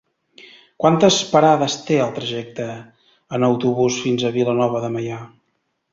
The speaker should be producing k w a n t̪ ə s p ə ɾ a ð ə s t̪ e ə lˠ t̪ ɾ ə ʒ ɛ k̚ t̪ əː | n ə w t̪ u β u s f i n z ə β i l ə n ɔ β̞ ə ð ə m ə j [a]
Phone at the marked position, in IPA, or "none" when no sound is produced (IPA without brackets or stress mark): a